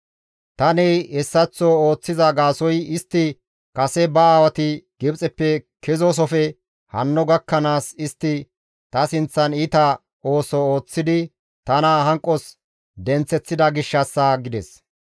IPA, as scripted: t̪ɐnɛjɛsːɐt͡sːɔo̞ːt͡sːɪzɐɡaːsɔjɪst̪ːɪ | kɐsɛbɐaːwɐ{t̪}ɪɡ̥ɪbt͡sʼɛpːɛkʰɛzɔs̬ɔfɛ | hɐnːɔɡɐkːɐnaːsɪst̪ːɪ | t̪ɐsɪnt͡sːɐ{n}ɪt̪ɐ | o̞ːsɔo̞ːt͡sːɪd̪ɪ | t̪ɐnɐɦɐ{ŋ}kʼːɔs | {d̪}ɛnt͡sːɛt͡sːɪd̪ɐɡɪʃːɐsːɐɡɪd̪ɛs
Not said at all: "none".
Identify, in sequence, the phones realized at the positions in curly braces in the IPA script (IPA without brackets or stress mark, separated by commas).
t̪, n, ŋ, d̪